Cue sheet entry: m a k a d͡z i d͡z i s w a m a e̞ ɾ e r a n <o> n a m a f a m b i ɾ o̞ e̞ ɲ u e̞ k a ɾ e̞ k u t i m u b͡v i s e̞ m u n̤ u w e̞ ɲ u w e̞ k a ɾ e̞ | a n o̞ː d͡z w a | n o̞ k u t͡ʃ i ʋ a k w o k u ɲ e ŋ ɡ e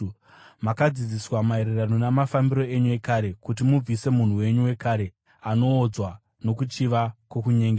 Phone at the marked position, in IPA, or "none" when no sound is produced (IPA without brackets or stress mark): o